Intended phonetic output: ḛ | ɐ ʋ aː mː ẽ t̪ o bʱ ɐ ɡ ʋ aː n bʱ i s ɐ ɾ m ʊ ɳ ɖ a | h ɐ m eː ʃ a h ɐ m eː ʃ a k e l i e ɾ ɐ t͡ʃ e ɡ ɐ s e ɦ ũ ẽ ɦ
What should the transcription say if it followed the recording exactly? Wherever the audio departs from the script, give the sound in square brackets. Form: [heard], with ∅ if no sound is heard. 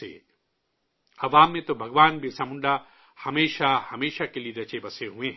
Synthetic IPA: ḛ | ɐ ʋ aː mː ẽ t̪ o bʱ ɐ ɡ ʋ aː n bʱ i s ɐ [∅] m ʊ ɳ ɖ a | h ɐ m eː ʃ a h ɐ m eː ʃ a k e l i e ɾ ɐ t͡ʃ e [b] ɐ s e ɦ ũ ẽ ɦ

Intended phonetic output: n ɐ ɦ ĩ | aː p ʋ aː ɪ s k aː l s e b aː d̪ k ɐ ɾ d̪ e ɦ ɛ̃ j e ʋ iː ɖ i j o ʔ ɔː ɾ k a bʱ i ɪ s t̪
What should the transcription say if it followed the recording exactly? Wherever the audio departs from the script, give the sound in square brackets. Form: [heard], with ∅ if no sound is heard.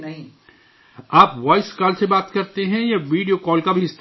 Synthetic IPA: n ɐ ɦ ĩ | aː p ʋ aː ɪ s k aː l s e b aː [t̪] k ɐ ɾ [t̪] e ɦ ɛ̃ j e ʋ iː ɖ i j o [k] ɔː [l] k a bʱ i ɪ s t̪

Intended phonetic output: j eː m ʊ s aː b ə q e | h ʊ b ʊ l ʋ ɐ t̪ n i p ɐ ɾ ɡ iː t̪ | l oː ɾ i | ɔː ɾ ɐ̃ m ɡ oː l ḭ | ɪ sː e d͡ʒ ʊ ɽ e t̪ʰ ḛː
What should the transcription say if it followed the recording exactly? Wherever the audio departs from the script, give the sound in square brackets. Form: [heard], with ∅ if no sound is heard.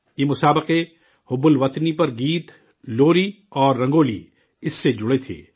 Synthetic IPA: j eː m ʊ s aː b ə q e | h ʊ b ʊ l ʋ ɐ t̪ n i p ɐ ɾ ɡ iː t̪ | l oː ɾ i | ɔː [ɾː] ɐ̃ [ŋ] ɡ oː l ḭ | ɪ sː e d͡ʒ ʊ ɽ e t̪ʰ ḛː

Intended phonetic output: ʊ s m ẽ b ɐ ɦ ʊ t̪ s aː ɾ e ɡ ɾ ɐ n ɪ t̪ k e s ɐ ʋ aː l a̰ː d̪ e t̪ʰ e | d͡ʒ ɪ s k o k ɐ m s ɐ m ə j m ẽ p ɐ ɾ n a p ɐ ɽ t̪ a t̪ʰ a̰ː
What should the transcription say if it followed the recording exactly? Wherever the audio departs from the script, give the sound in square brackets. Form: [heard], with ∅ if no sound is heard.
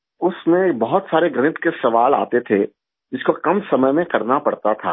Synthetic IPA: ʊ s m ẽ b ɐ ɦ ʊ t̪ s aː ɾ e ɡ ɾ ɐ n ɪ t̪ k e s ɐ ʋ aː l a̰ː [t̪] e t̪ʰ e | d͡ʒ ɪ s k o k ɐ m s ɐ m ə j m ẽ [k] ɐ ɾ n a p ɐ ɽ t̪ a t̪ʰ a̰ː

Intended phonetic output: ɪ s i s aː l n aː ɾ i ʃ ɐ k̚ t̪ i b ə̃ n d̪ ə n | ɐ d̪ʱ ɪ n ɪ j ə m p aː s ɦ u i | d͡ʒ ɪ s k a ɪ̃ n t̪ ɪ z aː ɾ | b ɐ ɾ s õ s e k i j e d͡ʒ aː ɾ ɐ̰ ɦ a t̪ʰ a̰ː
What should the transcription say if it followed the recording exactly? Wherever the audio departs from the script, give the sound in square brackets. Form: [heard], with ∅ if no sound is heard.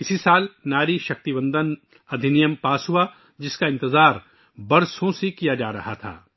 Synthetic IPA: ɪ s i s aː l n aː ɾ i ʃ ɐ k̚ t̪ i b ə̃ n d̪ ə n | ɐ d̪ʱ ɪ n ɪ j ə m p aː s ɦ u [a] | d͡ʒ ɪ s k a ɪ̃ n t̪ ɪ z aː ɾ | b ɐ ɾ s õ s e k i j [a] d͡ʒ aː ɾ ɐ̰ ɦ a t̪ʰ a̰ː

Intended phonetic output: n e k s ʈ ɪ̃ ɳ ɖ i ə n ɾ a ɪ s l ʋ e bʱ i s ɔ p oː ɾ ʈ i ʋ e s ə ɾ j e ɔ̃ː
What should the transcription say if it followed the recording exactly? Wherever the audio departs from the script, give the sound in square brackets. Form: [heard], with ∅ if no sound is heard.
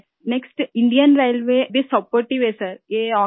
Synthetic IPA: n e k s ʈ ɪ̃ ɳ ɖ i ə n ɾ a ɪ [∅] l ʋ e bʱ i s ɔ p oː ɾ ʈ i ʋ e s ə ɾ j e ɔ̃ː

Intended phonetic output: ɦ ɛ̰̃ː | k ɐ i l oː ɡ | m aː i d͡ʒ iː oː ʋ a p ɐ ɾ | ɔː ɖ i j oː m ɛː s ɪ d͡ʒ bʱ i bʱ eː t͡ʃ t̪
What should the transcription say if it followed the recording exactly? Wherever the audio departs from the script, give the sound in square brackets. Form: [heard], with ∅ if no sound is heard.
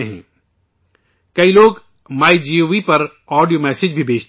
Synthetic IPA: ɦ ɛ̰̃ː | k ɐ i l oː ɡ | m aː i d͡ʒ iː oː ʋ [i] p ɐ ɾ | ɔː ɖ i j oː m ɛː s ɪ d͡ʒ bʱ i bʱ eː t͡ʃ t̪

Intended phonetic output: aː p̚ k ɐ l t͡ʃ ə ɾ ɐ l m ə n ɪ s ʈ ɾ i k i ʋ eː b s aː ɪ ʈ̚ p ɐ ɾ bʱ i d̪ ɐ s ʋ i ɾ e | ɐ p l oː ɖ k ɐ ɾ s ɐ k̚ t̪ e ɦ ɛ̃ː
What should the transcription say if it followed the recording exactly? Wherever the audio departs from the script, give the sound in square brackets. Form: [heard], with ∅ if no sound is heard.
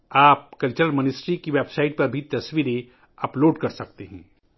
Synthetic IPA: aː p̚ k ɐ l t͡ʃ ə ɾ [ə] l m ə n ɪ s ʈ ɾ i k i ʋ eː b s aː ɪ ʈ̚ p ɐ ɾ bʱ i [t̪] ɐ s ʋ i ɾ e | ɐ p l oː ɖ k ɐ ɾ s ɐ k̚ t̪ e ɦ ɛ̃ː

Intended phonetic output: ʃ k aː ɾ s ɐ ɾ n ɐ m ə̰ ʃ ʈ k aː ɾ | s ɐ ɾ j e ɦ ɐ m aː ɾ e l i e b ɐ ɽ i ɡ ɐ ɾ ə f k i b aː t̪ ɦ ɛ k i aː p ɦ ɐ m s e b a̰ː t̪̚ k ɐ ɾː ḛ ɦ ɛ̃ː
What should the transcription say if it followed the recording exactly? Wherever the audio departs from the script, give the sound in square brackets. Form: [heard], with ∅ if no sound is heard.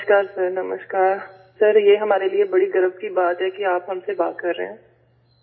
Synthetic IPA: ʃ k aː ɾ s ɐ ɾ n ɐ m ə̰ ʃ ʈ k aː ɾ | s ɐ ɾ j e ɦ ɐ m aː ɾ e l i e b ɐ ɽ i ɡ ɐ ɾ ə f k i b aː t̪ ɦ ɛ k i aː p ɦ ɐ m s e b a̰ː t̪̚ k ɐ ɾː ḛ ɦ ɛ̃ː

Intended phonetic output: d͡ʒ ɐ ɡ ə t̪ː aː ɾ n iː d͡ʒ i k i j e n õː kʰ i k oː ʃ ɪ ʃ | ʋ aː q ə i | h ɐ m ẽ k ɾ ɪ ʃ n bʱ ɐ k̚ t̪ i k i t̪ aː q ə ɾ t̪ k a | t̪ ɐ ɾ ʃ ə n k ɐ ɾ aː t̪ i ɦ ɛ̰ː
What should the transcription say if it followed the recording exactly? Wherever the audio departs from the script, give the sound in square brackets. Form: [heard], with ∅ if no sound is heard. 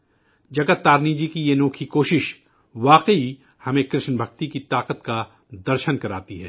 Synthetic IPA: d͡ʒ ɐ ɡ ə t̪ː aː ɾ n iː d͡ʒ i k i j e n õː kʰ i k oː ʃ ɪ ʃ | ʋ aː q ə i | h ɐ m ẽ k ɾ ɪ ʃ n bʱ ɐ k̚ t̪ i k i t̪ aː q ə [∅] t̪ k a | [d̪] ɐ ɾ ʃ ə n k ɐ ɾ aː t̪ i ɦ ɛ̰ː

